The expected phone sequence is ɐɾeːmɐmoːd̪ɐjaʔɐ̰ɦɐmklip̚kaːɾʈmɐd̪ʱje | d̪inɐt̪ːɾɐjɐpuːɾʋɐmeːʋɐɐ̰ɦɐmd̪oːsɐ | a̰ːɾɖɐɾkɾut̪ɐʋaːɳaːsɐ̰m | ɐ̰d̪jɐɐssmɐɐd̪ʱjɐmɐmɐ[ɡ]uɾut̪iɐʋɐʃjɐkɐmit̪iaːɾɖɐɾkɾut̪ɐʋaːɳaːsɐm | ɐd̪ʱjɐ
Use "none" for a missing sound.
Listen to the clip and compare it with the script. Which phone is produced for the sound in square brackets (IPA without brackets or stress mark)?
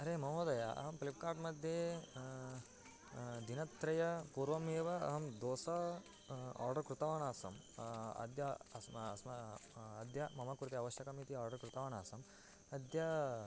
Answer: k